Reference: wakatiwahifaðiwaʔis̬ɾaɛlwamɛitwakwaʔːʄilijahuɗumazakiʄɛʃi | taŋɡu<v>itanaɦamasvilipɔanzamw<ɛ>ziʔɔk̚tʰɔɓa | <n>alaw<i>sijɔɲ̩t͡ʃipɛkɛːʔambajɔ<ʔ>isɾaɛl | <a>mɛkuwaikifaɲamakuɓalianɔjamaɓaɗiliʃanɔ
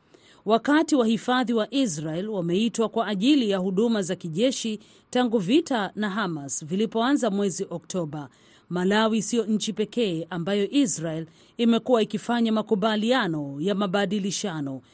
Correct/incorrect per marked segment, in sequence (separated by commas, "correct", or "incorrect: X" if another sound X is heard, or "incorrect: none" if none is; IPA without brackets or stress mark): correct, correct, incorrect: m, correct, correct, incorrect: i